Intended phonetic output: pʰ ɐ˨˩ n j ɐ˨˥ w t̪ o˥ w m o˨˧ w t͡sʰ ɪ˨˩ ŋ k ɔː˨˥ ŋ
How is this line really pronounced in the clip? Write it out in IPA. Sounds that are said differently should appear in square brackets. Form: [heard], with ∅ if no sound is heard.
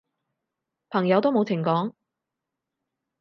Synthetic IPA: pʰ ɐ˨˩ [ŋ] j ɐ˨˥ w t̪ o˥ w m o˨˧ w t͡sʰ ɪ˨˩ ŋ k ɔː˨˥ ŋ